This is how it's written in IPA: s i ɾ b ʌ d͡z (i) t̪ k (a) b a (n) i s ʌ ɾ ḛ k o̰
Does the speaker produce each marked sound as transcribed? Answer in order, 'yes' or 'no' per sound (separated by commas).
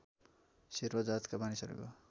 no, yes, yes